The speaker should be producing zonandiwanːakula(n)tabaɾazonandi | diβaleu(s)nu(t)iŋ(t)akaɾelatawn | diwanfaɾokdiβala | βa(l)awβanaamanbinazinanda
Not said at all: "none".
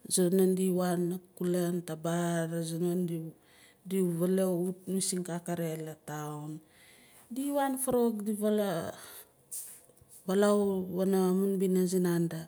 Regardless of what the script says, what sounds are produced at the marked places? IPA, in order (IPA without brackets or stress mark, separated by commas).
n, t, s, k, l